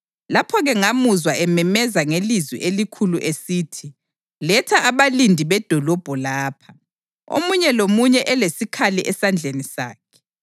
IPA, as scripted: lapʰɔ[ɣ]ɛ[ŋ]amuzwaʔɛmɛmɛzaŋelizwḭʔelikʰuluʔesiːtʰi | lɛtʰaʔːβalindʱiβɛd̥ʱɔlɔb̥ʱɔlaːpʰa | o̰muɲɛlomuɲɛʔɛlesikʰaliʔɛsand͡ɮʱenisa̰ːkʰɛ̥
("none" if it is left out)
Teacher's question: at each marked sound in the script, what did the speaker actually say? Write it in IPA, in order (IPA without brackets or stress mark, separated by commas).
ɣ, ŋ